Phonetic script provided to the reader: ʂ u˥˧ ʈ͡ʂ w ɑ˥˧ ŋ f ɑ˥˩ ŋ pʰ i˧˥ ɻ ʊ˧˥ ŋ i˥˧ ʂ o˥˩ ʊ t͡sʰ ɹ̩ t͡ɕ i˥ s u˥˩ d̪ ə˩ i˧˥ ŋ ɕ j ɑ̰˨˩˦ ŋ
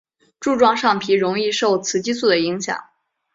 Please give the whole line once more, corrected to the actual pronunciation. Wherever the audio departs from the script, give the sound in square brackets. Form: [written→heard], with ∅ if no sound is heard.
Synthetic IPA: [ʂ→ʈ͡ʂ] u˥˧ ʈ͡ʂ w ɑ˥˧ ŋ [f→ʂ] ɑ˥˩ ŋ pʰ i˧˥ ɻ ʊ˧˥ ŋ i˥˧ ʂ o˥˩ ʊ t͡sʰ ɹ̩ t͡ɕ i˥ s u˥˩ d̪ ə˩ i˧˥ ŋ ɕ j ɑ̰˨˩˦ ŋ

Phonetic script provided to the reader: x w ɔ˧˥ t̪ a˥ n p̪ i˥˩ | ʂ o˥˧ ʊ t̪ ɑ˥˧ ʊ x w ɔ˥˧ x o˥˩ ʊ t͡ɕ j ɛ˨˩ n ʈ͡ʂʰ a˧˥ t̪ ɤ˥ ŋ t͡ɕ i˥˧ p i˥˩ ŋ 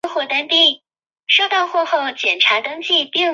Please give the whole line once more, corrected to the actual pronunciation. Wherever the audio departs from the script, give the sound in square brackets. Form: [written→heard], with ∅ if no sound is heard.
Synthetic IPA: x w [ɔ˧˥→ɔ˥˩] t̪ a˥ n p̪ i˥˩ | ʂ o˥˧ ʊ t̪ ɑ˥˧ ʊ x w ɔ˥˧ x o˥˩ ʊ t͡ɕ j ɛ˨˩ n ʈ͡ʂʰ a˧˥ t̪ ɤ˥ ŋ t͡ɕ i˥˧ p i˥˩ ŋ

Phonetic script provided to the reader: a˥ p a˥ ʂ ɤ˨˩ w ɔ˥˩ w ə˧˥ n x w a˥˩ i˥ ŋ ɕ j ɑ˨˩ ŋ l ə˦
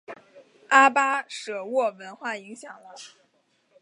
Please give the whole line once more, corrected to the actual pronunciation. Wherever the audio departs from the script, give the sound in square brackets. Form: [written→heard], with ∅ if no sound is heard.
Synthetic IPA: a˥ p a˥ ʂ ɤ˨˩ w ɔ˥˩ w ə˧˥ n x w a˥˩ [i˥→i˧˥] ŋ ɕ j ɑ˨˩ ŋ l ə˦

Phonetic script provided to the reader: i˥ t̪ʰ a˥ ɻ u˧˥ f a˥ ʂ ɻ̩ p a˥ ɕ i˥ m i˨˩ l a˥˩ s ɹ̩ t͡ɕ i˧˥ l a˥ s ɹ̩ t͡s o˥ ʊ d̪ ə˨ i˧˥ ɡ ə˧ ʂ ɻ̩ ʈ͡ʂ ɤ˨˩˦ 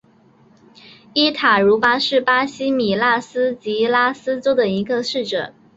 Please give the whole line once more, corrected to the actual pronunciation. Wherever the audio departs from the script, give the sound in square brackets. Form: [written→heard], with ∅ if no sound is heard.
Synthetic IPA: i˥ t̪ʰ [a˥→a˨˩] ɻ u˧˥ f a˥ ʂ ɻ̩ p a˥ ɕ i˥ m i˨˩ l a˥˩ s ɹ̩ t͡ɕ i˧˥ l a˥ s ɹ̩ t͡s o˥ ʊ d̪ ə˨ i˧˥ ɡ ə˧ ʂ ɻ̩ ʈ͡ʂ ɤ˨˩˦

